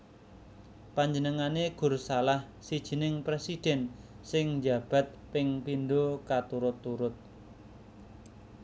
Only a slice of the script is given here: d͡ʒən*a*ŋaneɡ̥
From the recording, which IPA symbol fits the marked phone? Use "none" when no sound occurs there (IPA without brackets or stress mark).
ə